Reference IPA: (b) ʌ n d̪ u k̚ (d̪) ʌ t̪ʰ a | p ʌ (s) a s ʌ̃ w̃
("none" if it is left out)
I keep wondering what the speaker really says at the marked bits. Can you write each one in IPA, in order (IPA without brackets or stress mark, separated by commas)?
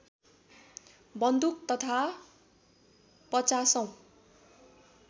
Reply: b, t̪, t͡s